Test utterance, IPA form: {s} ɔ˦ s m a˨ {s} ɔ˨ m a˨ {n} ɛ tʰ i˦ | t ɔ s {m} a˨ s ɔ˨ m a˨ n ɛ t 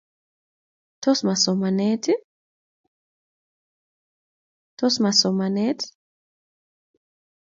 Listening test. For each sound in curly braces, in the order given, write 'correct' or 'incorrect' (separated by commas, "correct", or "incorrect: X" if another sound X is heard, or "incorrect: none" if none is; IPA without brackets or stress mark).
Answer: incorrect: t, correct, correct, correct